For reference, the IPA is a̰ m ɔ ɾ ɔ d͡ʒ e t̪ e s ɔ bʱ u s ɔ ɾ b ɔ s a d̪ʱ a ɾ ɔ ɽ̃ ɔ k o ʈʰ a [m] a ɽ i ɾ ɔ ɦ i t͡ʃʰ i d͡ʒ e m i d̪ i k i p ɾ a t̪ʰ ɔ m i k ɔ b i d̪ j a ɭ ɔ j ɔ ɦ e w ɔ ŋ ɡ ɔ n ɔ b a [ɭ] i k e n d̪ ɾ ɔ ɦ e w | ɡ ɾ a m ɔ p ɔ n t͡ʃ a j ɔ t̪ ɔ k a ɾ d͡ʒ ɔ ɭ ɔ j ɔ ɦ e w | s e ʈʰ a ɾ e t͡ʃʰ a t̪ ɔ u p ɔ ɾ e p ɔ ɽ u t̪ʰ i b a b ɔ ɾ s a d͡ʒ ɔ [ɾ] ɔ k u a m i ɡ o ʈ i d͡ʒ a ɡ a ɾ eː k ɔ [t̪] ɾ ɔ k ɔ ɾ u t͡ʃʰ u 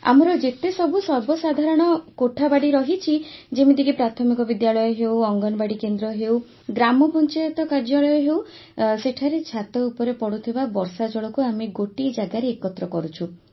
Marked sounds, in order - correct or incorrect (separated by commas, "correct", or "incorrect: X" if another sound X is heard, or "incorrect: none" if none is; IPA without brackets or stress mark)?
incorrect: b, incorrect: ɽ, incorrect: ɭ, correct